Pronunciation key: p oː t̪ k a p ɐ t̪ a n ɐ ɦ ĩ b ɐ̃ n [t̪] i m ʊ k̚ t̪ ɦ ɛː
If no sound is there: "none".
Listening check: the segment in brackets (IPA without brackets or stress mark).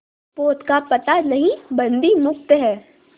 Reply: d̪